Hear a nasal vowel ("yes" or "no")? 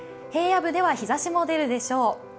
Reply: no